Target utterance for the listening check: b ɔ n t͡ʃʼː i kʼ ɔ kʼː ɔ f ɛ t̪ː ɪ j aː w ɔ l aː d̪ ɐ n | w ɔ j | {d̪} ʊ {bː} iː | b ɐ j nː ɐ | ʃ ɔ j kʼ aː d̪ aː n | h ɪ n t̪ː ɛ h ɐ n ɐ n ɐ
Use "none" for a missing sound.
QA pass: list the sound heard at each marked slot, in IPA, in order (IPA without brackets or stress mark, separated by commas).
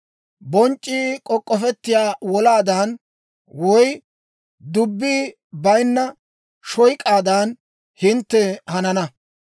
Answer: d̪, bː